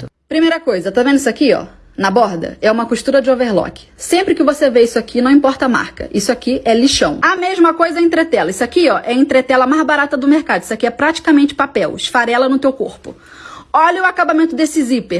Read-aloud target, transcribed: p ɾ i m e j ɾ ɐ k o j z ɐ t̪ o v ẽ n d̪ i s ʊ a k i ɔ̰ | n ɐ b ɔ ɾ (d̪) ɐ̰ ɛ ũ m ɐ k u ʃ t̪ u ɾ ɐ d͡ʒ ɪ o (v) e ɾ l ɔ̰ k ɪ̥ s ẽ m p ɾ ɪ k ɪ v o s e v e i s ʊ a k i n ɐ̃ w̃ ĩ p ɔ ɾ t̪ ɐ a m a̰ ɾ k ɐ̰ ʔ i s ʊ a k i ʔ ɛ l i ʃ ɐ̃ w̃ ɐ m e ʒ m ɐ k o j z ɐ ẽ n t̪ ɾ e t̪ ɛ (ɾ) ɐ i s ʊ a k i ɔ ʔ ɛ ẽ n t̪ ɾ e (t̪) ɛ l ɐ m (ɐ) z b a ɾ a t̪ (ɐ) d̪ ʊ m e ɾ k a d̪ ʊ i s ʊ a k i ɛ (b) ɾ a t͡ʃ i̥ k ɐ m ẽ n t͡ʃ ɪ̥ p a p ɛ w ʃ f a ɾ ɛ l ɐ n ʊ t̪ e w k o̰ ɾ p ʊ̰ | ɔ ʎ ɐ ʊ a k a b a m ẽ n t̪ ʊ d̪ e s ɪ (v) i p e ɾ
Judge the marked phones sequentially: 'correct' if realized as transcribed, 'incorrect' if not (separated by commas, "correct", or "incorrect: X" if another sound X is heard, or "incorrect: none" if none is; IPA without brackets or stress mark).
correct, correct, incorrect: l, correct, incorrect: a, correct, incorrect: p, incorrect: z